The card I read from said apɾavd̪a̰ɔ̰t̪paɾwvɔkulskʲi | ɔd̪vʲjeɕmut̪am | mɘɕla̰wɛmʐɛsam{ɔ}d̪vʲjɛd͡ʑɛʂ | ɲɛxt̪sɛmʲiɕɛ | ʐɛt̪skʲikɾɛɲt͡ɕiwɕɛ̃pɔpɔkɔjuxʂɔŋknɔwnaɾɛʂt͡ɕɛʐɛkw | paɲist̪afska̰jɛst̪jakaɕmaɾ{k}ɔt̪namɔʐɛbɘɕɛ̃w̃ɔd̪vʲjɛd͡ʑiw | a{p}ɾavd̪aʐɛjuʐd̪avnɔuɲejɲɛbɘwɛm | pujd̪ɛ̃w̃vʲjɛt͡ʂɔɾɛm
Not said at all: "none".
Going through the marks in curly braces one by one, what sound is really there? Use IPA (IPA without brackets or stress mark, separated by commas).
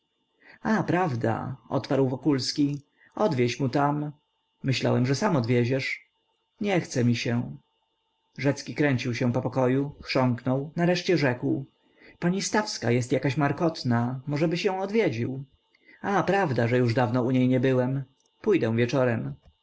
ɔ, k, p